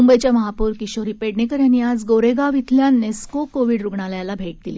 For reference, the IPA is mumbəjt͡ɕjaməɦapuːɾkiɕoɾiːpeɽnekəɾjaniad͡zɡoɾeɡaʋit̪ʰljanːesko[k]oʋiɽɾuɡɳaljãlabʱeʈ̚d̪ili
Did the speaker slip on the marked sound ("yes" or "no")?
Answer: no